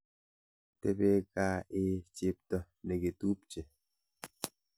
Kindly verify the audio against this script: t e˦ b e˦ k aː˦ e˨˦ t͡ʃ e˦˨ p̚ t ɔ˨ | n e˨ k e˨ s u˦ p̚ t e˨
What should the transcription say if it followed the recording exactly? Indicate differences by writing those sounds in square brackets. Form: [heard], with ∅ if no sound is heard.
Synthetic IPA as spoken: t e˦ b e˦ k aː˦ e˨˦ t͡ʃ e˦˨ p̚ t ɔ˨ | n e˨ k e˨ [t] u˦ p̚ [t͡ʃ] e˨